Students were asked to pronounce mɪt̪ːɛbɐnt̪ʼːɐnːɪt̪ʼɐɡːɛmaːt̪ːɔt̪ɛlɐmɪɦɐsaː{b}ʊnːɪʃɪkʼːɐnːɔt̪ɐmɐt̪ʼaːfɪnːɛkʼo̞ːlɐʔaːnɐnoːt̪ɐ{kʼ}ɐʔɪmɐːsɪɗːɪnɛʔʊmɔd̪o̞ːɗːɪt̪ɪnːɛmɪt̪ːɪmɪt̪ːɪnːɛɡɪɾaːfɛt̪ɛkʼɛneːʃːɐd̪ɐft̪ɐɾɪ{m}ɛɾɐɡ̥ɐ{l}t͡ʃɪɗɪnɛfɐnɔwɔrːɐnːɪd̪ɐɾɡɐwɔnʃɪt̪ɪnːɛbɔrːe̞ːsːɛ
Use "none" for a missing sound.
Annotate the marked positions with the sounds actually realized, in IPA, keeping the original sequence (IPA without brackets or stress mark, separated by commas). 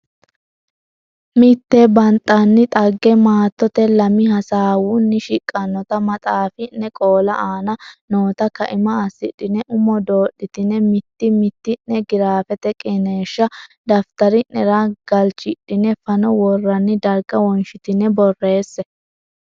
w, k, n, l